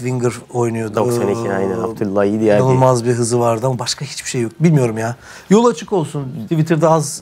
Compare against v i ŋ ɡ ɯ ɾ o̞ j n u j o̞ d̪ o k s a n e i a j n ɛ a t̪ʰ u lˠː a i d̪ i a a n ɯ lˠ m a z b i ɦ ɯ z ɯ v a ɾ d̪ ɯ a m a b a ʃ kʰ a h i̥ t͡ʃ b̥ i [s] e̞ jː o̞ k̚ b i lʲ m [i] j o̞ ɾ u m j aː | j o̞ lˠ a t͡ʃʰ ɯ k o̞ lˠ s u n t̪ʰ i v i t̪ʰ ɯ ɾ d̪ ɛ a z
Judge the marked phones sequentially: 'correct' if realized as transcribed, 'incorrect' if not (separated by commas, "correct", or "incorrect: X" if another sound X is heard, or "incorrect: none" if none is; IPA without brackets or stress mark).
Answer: incorrect: ʃ, correct